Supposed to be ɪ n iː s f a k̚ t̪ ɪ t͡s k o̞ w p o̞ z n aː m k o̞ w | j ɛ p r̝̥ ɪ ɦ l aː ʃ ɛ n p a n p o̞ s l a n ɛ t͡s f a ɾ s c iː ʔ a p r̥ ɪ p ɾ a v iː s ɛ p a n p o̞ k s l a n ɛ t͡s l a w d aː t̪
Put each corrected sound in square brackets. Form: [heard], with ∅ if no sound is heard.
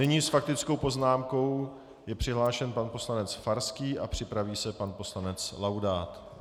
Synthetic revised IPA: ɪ [ɲ] iː s f a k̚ t̪ ɪ t͡s k o̞ w p o̞ z n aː m k o̞ w | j ɛ p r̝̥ ɪ ɦ l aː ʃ ɛ n p a n p o̞ s l a n ɛ t͡s f a ɾ s [k] iː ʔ a p r̥ ɪ p ɾ a v iː s ɛ p a n p o̞ [∅] s l a n ɛ t͡s l a w d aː t̪